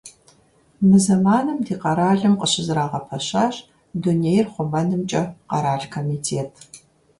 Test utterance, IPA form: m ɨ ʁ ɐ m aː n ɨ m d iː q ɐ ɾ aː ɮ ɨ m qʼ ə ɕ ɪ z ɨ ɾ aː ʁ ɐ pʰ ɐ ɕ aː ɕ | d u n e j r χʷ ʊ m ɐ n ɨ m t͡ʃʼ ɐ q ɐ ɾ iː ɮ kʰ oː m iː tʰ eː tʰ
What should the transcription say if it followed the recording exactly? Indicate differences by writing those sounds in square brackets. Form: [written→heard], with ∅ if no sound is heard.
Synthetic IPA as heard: m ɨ [ʁ→z] ɐ m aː n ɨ m d iː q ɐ ɾ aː ɮ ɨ m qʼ ə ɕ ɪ z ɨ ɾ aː ʁ ɐ pʰ ɐ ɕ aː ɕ | d u n e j r χʷ ʊ m ɐ n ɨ m t͡ʃʼ ɐ q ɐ ɾ [iː→aː] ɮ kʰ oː m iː tʰ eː tʰ